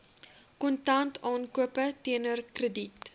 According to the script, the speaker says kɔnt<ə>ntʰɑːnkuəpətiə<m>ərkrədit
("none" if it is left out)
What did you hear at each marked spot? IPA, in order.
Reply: ɐ, n

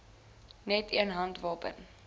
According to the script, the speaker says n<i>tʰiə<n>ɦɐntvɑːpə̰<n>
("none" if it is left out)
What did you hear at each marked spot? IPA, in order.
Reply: ɛ, n, n

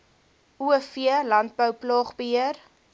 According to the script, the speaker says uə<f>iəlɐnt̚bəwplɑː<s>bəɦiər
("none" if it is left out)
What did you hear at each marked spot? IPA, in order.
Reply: f, χ

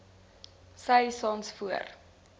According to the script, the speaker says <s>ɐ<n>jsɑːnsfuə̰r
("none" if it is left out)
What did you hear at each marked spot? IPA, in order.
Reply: s, none

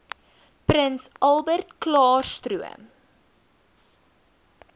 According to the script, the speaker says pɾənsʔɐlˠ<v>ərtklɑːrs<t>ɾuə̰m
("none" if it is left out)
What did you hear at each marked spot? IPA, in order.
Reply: b, t

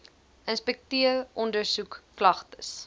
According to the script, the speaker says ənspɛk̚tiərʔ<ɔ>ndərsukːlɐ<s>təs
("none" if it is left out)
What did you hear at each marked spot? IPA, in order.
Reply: ɔ, χ

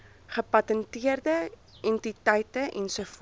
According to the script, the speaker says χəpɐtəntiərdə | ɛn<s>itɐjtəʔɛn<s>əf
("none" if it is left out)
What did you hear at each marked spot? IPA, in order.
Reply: t, s

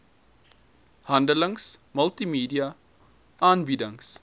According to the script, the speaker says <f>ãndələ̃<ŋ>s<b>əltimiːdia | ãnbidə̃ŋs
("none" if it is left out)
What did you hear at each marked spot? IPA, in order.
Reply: h, ŋ, m

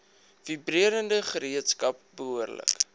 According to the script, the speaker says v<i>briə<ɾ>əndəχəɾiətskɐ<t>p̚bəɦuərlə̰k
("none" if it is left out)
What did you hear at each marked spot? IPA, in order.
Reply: i, ɾ, none

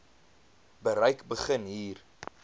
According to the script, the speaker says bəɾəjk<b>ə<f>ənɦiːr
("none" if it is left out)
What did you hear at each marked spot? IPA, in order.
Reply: b, χ

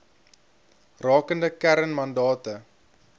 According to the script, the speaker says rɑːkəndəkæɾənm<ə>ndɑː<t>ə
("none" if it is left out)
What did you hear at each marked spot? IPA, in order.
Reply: ɐ, t

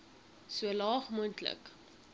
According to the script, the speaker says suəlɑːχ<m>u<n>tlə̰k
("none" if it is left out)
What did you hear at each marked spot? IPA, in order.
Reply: m, n

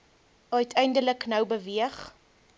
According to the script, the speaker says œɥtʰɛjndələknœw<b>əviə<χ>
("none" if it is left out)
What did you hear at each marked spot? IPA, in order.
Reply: b, χ

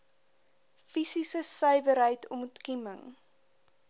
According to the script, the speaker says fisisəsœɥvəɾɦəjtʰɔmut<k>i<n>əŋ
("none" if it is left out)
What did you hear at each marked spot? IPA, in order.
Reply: k, m

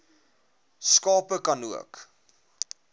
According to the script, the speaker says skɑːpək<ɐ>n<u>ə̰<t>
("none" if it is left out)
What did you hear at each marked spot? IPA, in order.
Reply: ɐ, u, k

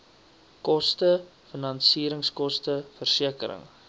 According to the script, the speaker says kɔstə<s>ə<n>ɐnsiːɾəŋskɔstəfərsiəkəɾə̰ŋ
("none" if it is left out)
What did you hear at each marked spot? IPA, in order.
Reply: f, n

